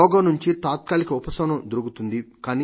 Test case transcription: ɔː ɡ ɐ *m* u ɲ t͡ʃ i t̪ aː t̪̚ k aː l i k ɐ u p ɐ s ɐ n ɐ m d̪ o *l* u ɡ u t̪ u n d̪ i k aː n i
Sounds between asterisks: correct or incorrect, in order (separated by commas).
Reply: incorrect, incorrect